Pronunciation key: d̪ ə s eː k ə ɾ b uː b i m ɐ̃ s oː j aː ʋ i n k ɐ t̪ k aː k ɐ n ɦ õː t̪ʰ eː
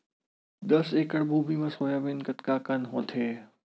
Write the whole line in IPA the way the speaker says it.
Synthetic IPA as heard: d̪ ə s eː k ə ɽ b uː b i m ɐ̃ s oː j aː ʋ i n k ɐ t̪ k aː k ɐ n ɦ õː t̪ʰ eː